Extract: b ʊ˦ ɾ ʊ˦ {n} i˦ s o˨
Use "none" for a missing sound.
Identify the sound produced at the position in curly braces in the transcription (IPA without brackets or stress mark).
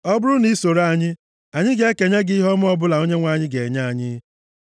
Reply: n